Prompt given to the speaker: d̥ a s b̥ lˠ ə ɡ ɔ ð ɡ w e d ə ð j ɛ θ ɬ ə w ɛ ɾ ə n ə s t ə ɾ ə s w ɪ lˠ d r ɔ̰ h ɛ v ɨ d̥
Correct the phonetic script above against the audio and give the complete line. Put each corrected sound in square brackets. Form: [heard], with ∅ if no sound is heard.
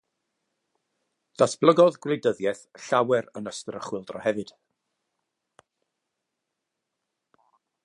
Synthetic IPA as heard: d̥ a s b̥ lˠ ə ɡ ɔ ð ɡ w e d ə ð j ɛ θ ɬ [a] w ɛ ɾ ə n ə s t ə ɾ ə [χ] w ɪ lˠ d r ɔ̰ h ɛ v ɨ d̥